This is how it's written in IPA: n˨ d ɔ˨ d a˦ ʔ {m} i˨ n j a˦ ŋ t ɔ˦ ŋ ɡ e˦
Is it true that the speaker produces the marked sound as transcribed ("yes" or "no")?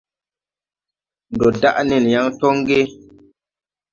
no